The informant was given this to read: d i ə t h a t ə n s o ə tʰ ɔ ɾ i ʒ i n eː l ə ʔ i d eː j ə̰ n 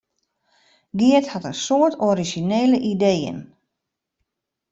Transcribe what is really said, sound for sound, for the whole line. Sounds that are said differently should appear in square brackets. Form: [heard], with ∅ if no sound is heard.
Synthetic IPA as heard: [ɡ] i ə t h a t ə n s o ə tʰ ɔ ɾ i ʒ i n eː l ə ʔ i d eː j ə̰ n